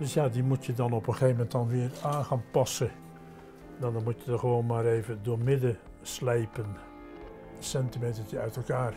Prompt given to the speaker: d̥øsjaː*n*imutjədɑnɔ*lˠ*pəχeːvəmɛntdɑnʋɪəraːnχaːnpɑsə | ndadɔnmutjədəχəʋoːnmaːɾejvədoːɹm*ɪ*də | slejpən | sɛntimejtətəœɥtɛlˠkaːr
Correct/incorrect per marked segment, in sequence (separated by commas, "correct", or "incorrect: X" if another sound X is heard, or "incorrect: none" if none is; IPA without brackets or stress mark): incorrect: d, incorrect: none, correct